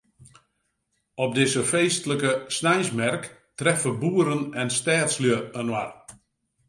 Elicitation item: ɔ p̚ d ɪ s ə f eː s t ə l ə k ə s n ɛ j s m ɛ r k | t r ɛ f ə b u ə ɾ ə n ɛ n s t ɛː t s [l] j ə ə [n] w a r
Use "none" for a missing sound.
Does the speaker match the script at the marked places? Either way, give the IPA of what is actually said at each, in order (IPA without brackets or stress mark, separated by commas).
l, n